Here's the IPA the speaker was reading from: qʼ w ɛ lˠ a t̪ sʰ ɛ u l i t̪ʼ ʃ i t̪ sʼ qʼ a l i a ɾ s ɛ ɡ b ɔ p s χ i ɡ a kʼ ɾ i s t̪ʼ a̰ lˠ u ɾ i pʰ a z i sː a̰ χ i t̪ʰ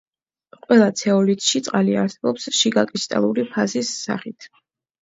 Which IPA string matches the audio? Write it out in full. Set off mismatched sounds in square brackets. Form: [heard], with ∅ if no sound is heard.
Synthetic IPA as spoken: qʼ w ɛ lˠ a t̪ sʰ ɛ [ɔ] l i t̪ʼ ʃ i t̪ sʼ qʼ a l i a ɾ s ɛ [∅] b ɔ p s [ʃ] i ɡ a kʼ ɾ i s t̪ʼ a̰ lˠ u ɾ i pʰ a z i sː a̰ χ i t̪ʰ